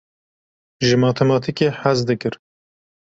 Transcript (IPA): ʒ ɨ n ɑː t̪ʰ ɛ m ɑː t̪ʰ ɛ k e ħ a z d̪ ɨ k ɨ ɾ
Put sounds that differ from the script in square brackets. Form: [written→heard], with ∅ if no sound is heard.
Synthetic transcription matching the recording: ʒ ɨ [n→m] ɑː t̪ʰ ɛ m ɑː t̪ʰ [ɛ→i] k e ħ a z d̪ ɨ k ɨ ɾ